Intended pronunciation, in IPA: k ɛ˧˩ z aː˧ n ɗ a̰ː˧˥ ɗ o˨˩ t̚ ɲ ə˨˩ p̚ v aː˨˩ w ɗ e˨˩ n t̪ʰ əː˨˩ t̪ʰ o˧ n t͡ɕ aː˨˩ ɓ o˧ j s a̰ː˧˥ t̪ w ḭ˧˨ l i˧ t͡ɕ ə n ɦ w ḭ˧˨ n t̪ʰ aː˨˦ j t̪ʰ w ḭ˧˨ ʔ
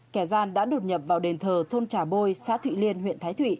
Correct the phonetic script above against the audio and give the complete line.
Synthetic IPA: k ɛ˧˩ z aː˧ n ɗ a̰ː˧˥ ɗ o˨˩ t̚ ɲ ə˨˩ p̚ v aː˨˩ w ɗ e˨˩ n t̪ʰ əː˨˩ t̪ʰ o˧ n t͡ɕ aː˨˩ ɓ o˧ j s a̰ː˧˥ t̪ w ḭ˧˨ l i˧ ə n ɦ w ḭ˧˨ n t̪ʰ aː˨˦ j t̪ʰ w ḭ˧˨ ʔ